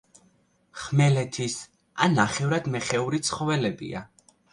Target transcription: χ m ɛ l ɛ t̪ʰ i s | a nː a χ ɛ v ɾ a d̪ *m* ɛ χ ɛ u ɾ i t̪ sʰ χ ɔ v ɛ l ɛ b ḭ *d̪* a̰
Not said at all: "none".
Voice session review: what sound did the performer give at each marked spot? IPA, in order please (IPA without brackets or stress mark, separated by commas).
m, none